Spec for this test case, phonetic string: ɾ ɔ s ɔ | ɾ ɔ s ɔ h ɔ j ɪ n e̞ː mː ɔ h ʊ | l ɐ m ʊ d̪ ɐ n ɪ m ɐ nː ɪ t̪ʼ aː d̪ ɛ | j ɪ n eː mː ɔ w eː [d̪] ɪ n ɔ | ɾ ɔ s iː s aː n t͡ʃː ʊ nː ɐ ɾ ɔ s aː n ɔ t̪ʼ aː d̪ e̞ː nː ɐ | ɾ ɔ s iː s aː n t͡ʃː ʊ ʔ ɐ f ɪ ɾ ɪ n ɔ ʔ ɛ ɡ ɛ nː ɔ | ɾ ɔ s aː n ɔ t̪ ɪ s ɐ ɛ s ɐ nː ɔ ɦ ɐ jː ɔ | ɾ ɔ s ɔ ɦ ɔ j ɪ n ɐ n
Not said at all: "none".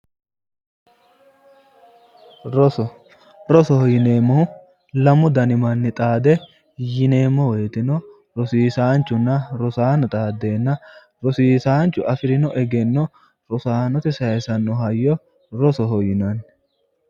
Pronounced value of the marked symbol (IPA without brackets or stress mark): t̪